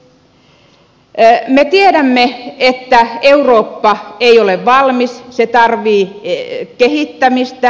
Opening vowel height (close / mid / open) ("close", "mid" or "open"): mid